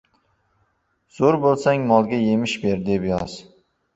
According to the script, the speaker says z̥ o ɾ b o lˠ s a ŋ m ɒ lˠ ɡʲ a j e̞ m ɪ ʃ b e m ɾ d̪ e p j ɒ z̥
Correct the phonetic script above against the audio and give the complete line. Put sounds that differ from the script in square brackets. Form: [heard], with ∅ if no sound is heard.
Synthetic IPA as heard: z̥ o ɾ b o lˠ s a ŋ m ɒ lˠ ɡʲ a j e̞ m ɪ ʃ b e [∅] ɾ d̪ e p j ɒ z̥